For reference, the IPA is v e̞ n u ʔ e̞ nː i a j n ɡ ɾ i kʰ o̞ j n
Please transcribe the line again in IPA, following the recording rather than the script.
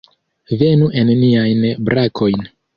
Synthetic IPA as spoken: v e̞ n u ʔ e̞ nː i a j n b ɾ a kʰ o̞ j n